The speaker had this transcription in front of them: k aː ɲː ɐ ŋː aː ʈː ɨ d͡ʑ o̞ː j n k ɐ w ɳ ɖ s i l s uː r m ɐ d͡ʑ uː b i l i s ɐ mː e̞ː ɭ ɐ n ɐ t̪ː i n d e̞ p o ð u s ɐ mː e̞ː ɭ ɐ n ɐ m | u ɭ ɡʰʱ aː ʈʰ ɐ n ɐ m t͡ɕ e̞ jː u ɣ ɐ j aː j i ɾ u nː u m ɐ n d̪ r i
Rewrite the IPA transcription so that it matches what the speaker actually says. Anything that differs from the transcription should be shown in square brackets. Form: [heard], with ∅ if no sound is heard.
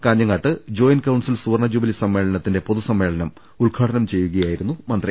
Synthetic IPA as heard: k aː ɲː ɐ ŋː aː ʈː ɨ d͡ʑ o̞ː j n k ɐ w ɳ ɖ s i l s uː r [ɳ] ɐ d͡ʑ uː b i l i s ɐ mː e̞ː ɭ ɐ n ɐ t̪ː i n d e̞ p o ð u s ɐ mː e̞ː ɭ ɐ n ɐ m | u ɭ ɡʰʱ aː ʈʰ ɐ n ɐ m t͡ɕ e̞ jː u ɣ ɐ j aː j i ɾ u nː u m ɐ n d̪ r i